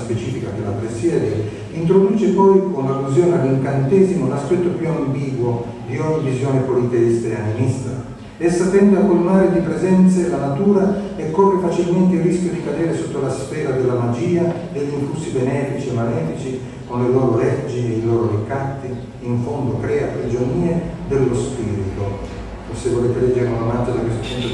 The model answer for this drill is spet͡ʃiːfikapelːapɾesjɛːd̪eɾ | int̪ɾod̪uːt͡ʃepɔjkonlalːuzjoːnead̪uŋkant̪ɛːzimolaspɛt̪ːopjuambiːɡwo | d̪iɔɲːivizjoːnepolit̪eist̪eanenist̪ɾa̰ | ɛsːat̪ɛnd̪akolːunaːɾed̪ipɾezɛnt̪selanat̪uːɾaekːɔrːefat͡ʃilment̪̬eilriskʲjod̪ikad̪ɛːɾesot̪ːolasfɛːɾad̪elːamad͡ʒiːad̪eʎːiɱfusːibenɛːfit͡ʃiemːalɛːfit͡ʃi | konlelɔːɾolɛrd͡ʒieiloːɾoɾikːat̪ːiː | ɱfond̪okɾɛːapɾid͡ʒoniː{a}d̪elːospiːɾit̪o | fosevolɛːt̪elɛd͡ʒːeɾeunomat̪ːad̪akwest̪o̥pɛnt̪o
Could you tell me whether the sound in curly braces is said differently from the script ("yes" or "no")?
yes